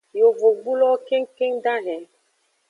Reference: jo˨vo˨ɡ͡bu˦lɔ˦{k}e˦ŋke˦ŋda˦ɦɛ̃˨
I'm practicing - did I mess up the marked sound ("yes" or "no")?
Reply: no